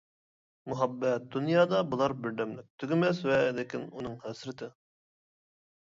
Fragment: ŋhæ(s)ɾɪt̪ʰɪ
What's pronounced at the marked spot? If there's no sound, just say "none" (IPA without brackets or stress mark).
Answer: s